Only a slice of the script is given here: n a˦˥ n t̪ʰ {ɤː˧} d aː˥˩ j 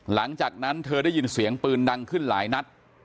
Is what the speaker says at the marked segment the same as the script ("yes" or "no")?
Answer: yes